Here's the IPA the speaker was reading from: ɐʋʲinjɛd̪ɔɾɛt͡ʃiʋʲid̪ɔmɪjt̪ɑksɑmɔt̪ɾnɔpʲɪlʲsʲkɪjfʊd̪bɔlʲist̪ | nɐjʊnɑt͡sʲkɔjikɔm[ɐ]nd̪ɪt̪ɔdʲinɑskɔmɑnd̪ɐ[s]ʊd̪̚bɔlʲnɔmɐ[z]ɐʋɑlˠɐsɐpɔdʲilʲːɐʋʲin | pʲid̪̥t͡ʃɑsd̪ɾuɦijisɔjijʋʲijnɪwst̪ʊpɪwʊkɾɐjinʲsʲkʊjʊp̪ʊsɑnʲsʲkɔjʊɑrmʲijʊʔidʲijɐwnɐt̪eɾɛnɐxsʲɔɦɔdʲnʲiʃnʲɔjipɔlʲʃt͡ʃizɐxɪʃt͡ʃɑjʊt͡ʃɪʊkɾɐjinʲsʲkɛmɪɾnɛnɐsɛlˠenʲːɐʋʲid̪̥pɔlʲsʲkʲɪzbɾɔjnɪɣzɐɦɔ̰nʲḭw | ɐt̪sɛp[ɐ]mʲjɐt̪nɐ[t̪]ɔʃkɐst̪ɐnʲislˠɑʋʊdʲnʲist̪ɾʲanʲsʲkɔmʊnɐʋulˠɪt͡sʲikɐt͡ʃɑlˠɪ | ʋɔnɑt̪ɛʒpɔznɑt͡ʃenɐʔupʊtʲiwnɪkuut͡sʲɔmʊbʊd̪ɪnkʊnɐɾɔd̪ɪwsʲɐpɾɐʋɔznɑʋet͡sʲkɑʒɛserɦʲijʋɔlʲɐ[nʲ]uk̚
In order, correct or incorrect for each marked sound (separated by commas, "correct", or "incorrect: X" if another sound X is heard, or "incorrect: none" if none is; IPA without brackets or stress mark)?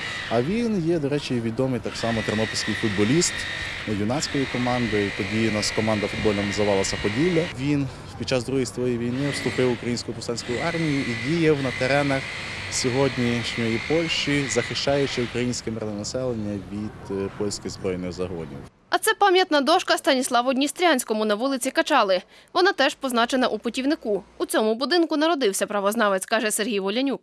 incorrect: ɑ, incorrect: f, correct, incorrect: ɑ, incorrect: d̪, correct